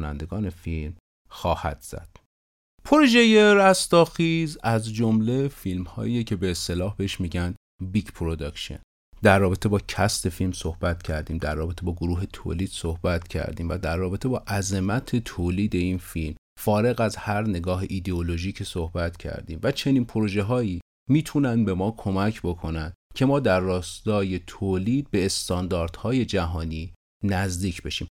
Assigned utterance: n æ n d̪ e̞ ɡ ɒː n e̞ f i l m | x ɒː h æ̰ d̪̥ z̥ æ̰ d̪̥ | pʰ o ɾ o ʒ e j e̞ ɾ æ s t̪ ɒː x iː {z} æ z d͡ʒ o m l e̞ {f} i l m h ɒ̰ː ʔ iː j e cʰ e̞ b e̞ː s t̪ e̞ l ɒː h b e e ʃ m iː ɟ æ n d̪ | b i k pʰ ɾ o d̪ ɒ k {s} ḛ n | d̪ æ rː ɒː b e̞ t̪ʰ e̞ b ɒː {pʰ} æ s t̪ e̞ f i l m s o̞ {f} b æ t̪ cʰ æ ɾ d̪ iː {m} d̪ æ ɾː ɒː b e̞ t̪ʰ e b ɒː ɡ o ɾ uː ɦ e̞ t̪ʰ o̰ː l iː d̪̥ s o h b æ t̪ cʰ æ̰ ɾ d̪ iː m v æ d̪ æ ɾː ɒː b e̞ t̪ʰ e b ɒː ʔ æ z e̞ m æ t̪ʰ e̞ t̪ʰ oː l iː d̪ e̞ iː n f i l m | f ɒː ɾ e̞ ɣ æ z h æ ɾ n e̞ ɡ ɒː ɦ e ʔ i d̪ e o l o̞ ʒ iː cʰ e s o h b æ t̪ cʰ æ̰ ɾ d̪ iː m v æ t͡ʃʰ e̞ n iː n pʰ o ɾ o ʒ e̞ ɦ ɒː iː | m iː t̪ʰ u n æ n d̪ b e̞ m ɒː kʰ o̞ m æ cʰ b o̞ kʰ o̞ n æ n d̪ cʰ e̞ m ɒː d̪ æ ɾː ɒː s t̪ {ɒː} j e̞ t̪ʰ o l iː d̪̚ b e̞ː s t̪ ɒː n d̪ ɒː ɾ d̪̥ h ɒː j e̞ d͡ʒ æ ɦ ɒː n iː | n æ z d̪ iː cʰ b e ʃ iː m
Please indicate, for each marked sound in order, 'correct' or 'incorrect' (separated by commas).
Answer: correct, correct, incorrect, incorrect, incorrect, correct, correct